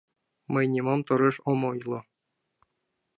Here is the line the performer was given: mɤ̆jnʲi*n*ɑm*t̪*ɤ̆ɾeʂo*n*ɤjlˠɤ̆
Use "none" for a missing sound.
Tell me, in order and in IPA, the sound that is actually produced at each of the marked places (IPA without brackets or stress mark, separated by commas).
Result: m, t̪, m